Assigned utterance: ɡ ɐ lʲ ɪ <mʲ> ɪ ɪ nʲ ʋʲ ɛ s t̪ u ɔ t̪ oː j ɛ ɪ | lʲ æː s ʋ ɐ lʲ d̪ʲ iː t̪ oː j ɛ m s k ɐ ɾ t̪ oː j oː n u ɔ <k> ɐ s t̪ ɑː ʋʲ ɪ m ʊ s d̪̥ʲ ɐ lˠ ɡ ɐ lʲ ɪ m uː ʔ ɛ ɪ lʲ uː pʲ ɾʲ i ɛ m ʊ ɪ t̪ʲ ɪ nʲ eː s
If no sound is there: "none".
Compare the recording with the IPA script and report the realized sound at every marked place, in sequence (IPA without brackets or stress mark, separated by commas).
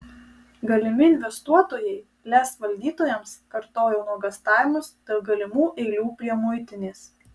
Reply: mʲ, ɡ